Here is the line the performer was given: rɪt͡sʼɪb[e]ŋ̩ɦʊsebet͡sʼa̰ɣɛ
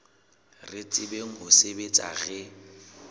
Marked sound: correct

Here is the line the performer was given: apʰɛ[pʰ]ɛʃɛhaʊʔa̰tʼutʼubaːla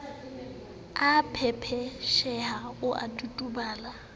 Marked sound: correct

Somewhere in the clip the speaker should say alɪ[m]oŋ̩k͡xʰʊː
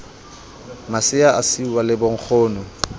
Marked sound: incorrect: b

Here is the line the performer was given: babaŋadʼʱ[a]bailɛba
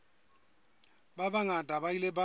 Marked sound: correct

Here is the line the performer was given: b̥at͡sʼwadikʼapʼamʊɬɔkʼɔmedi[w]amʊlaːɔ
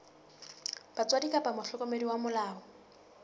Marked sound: correct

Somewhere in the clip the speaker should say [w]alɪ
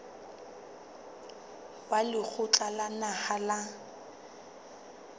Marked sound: correct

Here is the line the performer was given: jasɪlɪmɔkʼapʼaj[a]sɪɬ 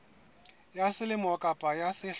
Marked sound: correct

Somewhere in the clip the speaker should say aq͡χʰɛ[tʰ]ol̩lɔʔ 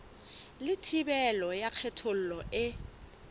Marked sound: correct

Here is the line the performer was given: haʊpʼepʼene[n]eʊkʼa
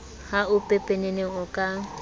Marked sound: correct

